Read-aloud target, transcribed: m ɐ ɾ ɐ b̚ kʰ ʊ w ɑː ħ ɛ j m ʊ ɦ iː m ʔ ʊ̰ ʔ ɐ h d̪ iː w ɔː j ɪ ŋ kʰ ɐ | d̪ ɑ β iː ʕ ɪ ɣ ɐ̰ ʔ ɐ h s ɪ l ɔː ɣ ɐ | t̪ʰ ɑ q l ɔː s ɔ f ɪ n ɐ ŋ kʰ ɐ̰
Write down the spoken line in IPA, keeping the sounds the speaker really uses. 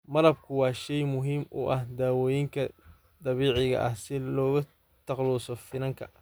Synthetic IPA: m ɐ ɾ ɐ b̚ kʰ ʊ w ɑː ʃ ɛ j m ʊ ɦ iː m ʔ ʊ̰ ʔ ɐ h d̪ aː w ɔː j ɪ ŋ kʰ ɐ | d̪ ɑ β iː ʕ ɪ ɣ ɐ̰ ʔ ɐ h s ɪ l ɔː ɣ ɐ | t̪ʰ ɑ q l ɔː s ɔ f ɪ n ɐ ŋ kʰ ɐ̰